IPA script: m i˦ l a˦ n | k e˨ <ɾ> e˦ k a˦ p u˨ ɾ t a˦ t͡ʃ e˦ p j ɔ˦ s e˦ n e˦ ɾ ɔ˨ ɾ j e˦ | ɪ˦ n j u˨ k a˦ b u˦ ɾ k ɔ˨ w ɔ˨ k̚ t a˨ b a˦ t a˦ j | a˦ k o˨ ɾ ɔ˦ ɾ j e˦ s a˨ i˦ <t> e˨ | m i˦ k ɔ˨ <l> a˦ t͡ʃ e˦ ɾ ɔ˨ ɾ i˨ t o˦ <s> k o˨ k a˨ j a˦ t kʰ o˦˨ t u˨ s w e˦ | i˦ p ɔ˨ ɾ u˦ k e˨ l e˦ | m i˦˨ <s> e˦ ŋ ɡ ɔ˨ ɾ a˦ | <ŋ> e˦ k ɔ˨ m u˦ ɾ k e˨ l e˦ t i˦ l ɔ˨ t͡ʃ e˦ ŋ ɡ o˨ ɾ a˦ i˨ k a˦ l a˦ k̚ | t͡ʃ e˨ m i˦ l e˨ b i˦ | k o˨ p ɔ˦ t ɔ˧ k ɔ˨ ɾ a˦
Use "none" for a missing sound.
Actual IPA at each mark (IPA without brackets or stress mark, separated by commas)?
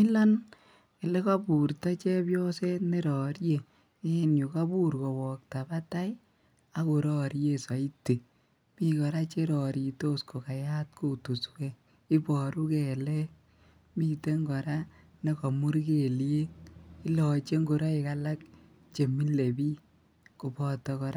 l, t, ɾ, s, t, n